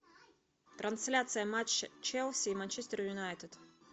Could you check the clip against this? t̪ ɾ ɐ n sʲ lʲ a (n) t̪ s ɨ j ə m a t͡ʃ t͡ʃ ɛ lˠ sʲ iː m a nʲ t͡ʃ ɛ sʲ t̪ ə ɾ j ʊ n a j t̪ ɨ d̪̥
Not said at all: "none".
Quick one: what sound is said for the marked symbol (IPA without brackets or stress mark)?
none